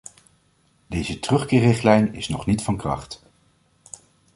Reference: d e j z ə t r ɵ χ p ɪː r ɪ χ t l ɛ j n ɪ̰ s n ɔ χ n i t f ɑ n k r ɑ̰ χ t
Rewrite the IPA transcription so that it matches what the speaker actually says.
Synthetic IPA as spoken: d e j z ə t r ɵ χ k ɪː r ɪ χ t l ɛ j n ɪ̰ s n ɔ χ n i t f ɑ n k r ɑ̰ χ t